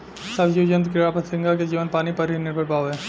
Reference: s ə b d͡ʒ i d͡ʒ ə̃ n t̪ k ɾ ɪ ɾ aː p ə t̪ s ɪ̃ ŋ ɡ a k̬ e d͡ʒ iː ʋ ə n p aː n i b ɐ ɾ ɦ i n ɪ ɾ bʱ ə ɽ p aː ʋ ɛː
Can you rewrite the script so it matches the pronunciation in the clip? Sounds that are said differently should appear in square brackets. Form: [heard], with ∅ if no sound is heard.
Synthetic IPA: s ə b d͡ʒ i d͡ʒ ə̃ n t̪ k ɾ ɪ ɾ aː p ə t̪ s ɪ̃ ŋ ɡ a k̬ e d͡ʒ iː ʋ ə n p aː n i [p] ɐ ɾ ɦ i n ɪ ɾ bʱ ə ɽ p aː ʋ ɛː